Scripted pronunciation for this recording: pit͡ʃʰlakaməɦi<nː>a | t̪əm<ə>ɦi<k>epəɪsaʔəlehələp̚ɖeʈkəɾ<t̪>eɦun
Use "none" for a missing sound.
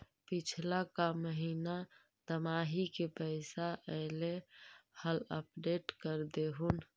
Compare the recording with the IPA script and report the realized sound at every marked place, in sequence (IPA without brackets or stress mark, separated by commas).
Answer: n, a, k, d̪